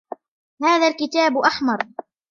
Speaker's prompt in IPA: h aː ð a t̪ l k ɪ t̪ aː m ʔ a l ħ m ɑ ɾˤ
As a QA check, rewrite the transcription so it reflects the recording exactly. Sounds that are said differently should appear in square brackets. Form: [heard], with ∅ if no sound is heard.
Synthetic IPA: h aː ð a [∅] l k ɪ t̪ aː [b] ʔ a [∅] ħ m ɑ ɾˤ